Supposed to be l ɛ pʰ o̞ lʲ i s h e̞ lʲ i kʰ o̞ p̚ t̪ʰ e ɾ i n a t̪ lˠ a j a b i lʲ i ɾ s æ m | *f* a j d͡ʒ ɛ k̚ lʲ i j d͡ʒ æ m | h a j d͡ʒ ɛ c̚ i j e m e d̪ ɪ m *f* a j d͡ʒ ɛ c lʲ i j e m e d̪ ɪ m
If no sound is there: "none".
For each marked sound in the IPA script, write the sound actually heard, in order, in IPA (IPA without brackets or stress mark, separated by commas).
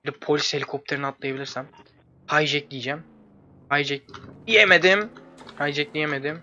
h, h